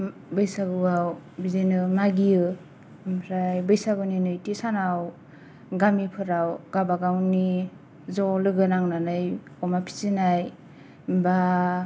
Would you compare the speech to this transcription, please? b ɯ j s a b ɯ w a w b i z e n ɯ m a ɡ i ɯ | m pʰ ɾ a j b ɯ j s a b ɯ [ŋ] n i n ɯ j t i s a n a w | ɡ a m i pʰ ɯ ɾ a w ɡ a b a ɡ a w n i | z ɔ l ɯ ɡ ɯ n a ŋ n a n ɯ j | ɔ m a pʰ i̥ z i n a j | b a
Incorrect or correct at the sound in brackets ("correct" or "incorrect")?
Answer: incorrect